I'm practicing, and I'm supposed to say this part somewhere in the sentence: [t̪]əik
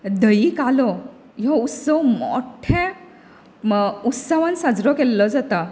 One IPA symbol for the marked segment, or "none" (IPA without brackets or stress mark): d̪